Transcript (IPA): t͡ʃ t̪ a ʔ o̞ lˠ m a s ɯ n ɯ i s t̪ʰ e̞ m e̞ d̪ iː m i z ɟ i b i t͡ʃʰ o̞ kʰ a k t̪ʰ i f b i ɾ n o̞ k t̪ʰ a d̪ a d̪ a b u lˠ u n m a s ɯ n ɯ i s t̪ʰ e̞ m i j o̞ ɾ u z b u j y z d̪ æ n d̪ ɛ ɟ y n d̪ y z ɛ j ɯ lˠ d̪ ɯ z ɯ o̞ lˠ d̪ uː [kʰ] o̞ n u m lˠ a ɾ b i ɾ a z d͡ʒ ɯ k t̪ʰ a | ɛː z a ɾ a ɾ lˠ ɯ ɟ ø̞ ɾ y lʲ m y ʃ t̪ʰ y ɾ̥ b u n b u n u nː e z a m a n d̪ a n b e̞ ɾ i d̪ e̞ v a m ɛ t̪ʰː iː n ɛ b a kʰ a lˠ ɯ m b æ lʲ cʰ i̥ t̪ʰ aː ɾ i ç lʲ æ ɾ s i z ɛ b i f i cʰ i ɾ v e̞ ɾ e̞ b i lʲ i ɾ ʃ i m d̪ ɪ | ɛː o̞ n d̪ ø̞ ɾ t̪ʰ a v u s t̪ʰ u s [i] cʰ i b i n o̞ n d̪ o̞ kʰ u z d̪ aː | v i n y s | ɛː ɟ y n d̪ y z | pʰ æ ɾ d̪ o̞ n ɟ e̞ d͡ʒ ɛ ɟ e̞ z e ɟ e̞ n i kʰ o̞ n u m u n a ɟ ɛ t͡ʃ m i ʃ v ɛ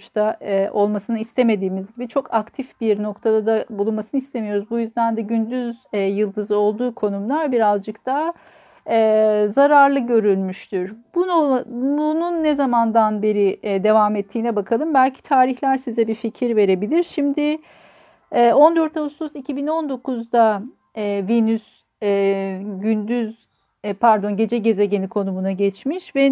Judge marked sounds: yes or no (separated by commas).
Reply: yes, yes